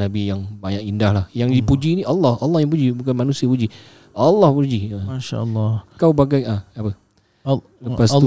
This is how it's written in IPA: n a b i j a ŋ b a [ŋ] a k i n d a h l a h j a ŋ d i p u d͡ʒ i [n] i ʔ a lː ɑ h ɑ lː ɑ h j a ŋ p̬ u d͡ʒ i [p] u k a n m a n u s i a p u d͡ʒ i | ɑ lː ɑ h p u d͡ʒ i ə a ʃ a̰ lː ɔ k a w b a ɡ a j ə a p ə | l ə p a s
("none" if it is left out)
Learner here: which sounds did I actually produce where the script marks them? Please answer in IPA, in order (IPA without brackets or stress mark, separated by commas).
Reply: ɲ, n, b